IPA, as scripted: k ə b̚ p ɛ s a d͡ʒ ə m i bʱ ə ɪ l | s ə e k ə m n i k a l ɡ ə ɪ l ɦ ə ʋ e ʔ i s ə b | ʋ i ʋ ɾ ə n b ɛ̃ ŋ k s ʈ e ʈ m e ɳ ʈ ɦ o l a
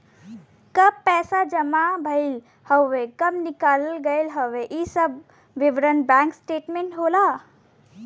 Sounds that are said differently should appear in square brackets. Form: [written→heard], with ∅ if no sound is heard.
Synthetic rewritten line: k ə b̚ p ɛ s a d͡ʒ ə m [i→a] bʱ ə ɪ l | [s→h] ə e k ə m n i k a l ɡ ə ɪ l ɦ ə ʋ e ʔ i s ə b | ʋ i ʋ ɾ ə n b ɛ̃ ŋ k s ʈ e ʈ m e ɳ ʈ ɦ o l a